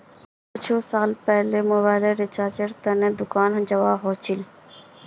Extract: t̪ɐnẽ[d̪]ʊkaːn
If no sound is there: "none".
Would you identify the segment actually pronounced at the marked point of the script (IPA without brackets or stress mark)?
d̪